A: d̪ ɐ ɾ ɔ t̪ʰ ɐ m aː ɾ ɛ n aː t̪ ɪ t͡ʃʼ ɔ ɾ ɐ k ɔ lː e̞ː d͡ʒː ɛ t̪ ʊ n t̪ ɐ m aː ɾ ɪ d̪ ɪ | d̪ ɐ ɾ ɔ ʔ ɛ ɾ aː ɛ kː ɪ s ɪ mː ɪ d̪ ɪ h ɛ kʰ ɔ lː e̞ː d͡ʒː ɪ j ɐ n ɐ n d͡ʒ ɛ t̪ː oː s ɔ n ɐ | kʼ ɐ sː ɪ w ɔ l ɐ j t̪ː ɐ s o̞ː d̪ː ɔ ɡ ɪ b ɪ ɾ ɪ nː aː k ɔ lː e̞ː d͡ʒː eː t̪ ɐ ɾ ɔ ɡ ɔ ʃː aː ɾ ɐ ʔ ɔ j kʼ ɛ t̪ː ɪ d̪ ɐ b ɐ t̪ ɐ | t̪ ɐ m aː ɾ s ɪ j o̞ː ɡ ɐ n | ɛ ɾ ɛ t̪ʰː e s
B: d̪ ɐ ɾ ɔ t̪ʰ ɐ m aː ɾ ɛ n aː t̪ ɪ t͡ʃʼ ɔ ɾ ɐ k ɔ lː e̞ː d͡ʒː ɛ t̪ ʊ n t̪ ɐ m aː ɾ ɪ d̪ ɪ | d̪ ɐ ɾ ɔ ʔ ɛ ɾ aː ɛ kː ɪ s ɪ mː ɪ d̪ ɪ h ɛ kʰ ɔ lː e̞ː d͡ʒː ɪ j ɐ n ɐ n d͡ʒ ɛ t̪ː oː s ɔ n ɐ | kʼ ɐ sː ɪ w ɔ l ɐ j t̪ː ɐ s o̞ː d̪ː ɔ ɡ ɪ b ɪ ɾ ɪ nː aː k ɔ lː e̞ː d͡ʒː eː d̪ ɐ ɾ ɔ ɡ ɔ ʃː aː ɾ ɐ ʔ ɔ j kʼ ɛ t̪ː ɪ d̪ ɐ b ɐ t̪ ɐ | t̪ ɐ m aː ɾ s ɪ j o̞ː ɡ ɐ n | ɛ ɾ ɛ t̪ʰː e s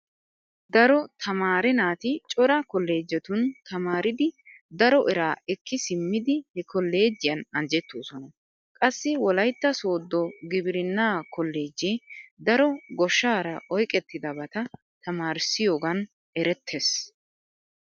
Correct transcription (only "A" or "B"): B